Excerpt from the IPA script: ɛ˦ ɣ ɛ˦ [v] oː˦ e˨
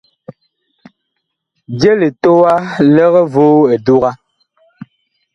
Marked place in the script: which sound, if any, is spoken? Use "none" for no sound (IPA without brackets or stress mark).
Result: v